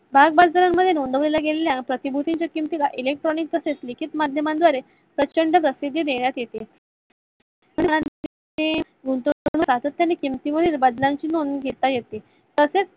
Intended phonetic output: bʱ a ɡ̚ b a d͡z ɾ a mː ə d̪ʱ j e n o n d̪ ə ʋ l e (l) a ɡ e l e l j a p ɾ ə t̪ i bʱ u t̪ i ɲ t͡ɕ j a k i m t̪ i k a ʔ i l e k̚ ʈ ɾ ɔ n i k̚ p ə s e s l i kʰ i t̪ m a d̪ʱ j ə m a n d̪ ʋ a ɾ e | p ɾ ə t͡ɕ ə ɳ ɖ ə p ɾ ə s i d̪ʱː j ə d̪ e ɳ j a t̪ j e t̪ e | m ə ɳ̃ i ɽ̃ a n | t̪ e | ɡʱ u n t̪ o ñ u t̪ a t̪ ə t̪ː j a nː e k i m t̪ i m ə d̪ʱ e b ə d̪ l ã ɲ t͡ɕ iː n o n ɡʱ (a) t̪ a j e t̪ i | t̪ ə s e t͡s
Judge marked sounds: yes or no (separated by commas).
yes, no